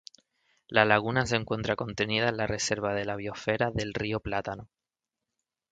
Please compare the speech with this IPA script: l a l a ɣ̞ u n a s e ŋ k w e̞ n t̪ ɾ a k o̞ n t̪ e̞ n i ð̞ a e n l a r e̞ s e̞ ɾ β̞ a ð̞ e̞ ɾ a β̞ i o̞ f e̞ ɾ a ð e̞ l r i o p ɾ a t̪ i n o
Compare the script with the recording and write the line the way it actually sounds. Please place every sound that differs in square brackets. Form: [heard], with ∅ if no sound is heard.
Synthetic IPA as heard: l a l a ɣ̞ u n a s e ŋ k w e̞ n t̪ ɾ a k o̞ n t̪ e̞ n i ð̞ a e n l a r e̞ s e̞ ɾ β̞ a ð̞ e̞ [l] a β̞ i o̞ f e̞ ɾ a ð e̞ l r i o p [l] a t̪ [a] n o